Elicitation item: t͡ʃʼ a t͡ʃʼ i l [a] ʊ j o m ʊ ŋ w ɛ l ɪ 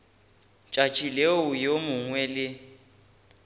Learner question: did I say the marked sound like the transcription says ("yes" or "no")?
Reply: no